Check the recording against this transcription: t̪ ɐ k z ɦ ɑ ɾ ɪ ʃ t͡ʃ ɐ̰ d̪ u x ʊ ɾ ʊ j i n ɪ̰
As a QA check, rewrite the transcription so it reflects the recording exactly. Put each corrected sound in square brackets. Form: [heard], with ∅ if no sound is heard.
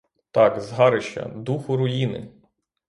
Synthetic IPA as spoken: t̪ [ɑ] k z ɦ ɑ ɾ ɪ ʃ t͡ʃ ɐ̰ d̪ u x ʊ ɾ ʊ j i n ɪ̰